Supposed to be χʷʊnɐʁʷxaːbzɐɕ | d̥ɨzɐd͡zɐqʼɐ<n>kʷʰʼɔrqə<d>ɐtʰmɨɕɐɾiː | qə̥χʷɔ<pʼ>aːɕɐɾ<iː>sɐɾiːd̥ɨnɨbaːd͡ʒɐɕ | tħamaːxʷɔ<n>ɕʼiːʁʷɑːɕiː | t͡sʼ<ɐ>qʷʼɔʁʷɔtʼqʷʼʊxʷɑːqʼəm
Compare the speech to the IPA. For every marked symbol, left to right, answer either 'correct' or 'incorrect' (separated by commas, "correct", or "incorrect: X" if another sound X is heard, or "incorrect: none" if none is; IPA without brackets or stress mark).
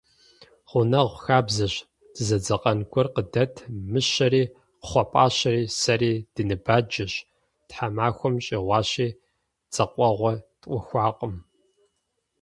correct, correct, correct, correct, incorrect: m, correct